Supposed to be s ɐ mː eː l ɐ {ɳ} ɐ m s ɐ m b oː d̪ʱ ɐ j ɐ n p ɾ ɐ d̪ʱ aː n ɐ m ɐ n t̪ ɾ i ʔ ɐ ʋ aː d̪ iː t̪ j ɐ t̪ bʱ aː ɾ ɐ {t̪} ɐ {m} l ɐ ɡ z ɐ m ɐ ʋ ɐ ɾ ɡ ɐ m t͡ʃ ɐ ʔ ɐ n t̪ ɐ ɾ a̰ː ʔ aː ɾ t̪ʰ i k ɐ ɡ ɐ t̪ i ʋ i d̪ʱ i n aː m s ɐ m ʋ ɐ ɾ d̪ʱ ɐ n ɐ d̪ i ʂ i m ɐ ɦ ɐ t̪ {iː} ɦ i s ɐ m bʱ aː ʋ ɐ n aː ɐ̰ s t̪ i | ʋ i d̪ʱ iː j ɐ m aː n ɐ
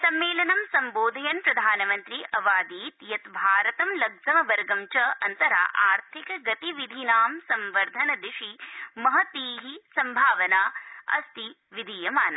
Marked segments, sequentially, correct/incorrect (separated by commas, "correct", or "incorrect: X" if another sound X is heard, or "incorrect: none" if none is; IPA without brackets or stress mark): incorrect: n, correct, correct, correct